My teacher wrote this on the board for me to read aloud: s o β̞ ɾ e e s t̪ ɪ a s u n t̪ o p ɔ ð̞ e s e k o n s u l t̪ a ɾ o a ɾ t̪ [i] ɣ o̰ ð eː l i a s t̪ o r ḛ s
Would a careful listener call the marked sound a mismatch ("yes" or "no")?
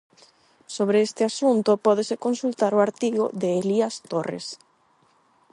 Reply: no